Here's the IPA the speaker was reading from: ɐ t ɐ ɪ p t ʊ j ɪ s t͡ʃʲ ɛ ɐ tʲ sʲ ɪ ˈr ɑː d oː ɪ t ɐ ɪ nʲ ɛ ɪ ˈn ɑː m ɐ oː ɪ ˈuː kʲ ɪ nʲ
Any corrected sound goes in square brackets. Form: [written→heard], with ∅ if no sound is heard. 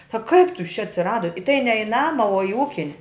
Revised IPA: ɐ [t→k] ɐ ɪ p t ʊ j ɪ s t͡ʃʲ ɛ ɐ tʲ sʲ ɪ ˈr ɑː d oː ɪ t ɐ ɪ nʲ ɛ ɪ ˈn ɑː m ɐ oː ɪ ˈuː kʲ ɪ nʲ